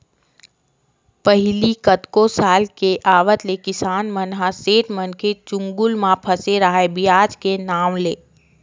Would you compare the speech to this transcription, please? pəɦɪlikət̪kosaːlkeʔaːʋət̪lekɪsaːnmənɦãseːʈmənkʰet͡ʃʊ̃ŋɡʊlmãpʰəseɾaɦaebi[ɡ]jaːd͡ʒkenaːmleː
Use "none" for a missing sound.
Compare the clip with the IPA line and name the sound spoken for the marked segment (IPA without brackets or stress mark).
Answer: none